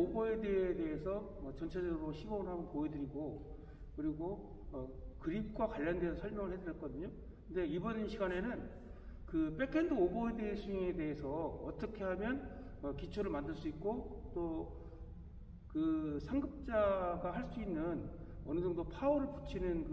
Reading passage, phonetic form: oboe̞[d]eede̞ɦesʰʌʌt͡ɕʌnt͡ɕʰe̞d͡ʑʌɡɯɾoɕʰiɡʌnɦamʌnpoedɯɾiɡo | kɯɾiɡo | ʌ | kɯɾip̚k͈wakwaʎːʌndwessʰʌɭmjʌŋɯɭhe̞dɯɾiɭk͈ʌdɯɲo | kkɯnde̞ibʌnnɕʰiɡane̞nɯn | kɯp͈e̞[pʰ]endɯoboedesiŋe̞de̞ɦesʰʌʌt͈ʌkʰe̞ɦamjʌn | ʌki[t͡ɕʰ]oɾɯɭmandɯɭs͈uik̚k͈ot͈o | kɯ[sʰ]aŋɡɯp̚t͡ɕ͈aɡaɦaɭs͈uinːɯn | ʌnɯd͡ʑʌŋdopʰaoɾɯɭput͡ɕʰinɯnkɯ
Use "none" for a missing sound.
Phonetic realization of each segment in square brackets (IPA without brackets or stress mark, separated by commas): d, kʰ, t͡ɕʰ, sʰ